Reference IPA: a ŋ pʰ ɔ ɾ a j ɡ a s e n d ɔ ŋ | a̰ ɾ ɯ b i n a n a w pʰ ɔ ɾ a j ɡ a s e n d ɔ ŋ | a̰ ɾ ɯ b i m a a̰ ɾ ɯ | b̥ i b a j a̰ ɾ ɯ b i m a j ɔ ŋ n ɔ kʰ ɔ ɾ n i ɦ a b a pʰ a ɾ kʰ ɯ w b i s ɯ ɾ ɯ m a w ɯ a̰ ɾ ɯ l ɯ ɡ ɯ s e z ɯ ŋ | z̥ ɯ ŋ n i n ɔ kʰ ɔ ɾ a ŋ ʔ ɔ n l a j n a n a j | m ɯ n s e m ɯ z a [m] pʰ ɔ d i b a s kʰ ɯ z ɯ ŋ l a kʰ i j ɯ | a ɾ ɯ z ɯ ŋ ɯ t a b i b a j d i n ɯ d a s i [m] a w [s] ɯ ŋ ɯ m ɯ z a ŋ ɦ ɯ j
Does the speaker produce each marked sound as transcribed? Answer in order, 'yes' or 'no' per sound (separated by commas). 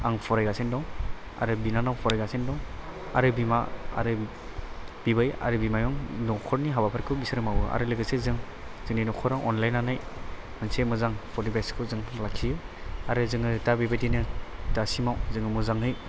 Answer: no, yes, no